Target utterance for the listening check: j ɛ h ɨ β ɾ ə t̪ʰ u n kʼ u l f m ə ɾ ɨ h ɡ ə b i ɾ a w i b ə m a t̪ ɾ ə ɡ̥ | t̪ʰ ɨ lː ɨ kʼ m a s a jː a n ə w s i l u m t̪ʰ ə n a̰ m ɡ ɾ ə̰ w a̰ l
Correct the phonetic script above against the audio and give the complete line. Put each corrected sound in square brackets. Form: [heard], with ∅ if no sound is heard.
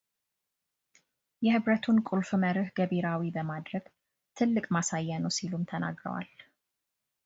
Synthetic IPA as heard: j ɛ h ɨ β ɾ ə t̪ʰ u n kʼ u l f m ə ɾ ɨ h ɡ ə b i ɾ a w i b ə m a [d̪] ɾ ə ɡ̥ | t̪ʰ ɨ lː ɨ kʼ m a s a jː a n ə w s i l u m t̪ʰ ə n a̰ [∅] ɡ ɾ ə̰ w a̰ l

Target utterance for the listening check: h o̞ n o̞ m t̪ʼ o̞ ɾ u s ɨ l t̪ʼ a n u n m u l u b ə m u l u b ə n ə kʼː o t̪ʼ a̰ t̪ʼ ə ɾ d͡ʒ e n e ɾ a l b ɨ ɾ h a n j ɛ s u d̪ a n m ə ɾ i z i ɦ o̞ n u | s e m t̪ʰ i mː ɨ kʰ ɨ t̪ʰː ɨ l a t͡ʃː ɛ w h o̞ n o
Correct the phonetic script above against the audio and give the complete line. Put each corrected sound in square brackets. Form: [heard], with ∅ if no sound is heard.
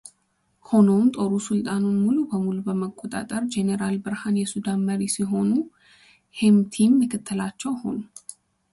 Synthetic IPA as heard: h o̞ n o̞ m t̪ʼ o̞ ɾ u s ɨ l t̪ʼ a n u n m u l u b ə m u l u b ə [m] ə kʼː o t̪ʼ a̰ t̪ʼ ə ɾ d͡ʒ e n e ɾ a l b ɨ ɾ h a n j ɛ s u d̪ a n m ə ɾ i [s] i ɦ o̞ n u | [h] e m t̪ʰ i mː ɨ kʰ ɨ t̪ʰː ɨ l a t͡ʃː ɛ w h o̞ n [u]

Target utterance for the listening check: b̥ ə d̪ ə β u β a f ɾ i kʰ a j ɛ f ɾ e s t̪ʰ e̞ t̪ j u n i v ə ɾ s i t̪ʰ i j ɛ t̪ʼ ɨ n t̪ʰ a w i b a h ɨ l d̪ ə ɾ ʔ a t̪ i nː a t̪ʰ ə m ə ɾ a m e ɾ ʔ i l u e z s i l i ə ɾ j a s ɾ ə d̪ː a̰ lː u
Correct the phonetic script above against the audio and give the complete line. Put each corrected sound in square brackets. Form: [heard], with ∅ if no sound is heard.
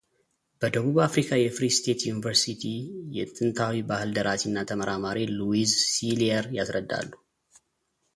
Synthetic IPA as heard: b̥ ə d̪ ə β u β a f ɾ i kʰ a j ɛ f ɾ [i] s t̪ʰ e̞ t̪ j u n i v ə ɾ s i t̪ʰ i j ɛ t̪ʼ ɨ n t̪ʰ a w i b a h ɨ l d̪ ə ɾ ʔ a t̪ i nː a t̪ʰ ə m ə ɾ a m [a] ɾ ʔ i l u [i] z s i l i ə ɾ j a s ɾ ə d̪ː a̰ lː u

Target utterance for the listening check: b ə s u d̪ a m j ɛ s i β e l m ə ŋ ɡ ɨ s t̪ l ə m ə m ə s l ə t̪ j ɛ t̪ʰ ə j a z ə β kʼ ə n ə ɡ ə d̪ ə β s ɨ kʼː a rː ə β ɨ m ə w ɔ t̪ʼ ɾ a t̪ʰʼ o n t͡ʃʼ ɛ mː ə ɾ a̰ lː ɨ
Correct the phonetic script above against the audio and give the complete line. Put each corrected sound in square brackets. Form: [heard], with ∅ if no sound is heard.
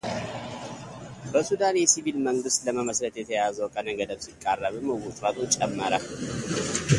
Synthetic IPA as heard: b ə s u d̪ a [n] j ɛ s i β [i] l m ə ŋ ɡ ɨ s t̪ l ə m ə m ə s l ə t̪ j ɛ t̪ʰ ə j a z ə [w] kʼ ə n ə ɡ ə d̪ ə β s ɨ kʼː a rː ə β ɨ m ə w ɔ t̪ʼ ɾ a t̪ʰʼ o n t͡ʃʼ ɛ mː ə ɾ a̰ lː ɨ

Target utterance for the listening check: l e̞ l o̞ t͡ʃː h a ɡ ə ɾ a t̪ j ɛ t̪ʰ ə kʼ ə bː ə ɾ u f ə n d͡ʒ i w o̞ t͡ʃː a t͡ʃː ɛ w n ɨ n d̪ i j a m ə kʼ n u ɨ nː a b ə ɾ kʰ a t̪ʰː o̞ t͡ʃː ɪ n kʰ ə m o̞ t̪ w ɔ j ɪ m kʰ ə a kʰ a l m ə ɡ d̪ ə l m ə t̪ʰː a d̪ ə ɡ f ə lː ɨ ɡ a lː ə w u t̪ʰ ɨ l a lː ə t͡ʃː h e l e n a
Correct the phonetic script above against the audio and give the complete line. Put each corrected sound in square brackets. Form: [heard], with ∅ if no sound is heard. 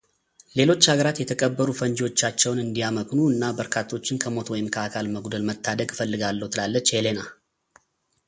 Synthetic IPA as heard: l e̞ l o̞ t͡ʃː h a ɡ ə ɾ a t̪ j ɛ t̪ʰ ə kʼ ə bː ə ɾ u f ə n d͡ʒ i w o̞ t͡ʃː a t͡ʃː ɛ w n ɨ n d̪ i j a m ə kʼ n u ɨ nː a b ə ɾ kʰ a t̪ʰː o̞ t͡ʃː ɪ n kʰ ə m o̞ t̪ w ɔ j ɪ m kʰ ə a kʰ a l m ə ɡ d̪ ə l m ə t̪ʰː a d̪ ə ɡ f ə lː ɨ ɡ a lː ə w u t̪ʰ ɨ l a lː ə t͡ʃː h e l e n a

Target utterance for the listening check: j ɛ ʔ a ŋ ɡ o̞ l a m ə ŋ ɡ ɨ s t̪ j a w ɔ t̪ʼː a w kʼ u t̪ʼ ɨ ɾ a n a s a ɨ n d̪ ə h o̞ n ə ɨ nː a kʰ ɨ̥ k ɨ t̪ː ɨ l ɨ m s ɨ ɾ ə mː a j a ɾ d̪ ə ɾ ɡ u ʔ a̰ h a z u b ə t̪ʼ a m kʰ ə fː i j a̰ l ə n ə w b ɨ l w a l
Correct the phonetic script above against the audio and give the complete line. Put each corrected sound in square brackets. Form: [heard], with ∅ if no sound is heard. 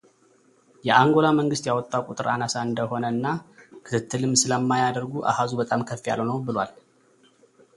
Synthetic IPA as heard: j ɛ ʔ a ŋ ɡ o̞ l a m ə ŋ ɡ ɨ s t̪ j a w ɔ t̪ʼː a w kʼ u t̪ʼ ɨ ɾ a n a s a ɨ n d̪ ə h o̞ n ə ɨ nː a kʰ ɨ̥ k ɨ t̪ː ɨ l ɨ m s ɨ [l] ə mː a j a [∅] d̪ ə ɾ ɡ u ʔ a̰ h a z u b ə t̪ʼ a m kʰ ə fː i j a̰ l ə n ə w b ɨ l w a l

